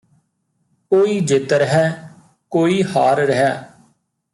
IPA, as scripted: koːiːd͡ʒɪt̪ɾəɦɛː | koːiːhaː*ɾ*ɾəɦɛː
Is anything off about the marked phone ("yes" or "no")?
no